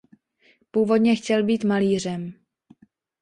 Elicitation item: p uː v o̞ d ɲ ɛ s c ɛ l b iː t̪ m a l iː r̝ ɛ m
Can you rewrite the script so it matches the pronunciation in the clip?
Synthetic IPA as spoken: p uː v o̞ d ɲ ɛ x c ɛ l b iː t̪ m a l iː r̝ ɛ m